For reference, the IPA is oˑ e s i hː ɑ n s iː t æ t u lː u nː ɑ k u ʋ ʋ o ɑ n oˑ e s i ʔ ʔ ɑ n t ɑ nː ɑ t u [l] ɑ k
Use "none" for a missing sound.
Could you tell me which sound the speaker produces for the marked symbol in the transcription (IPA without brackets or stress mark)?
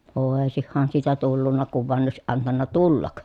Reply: lː